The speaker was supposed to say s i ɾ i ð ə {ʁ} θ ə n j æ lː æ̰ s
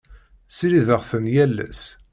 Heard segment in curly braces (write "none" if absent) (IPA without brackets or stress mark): ʁ